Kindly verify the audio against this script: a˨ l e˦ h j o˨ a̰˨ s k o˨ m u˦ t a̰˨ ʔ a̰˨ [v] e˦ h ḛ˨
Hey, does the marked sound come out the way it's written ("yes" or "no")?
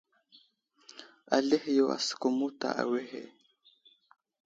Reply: no